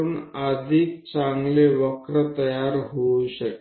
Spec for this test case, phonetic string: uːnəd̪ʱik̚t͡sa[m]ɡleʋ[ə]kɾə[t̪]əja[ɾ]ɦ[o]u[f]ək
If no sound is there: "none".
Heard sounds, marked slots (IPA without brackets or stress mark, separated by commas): ŋ, ə, t̪, ɾ, o, ɕ